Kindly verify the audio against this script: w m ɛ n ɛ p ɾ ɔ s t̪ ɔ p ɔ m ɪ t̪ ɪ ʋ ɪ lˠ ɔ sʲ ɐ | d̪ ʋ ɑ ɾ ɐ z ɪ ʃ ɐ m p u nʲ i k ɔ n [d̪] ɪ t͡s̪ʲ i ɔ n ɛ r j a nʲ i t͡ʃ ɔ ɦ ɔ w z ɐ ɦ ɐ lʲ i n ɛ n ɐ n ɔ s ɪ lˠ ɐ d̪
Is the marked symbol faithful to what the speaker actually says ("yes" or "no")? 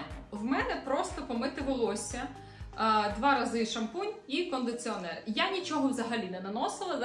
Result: yes